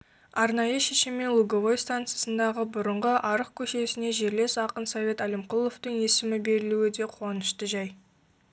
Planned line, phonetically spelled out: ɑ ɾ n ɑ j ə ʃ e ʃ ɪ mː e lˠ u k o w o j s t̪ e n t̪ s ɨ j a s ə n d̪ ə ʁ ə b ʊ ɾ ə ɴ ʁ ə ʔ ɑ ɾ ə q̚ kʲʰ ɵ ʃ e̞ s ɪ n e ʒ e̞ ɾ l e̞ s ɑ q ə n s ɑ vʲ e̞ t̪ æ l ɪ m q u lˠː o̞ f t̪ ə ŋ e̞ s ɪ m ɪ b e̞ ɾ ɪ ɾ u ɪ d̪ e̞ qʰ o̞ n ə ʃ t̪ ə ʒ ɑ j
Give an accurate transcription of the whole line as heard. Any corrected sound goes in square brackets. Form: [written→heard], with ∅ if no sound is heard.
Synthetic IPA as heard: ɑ ɾ n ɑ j ə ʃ e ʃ ɪ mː e lˠ u [k→ɡ] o [w→v] o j s t̪ [e→a] n t̪ s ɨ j a s ə n d̪ [ə→ɑ] ʁ ə b ʊ ɾ ə ɴ ʁ ə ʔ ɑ ɾ ə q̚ kʲʰ ɵ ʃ e̞ s ɪ n e ʒ e̞ ɾ l e̞ s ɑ q ə n s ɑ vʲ e̞ t̪ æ l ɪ m q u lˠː o̞ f t̪ ə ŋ e̞ s ɪ m ɪ b e̞ ɾ ɪ [ɾ→l] u ɪ d̪ e̞ qʰ o̞ n ə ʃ t̪ ə ʒ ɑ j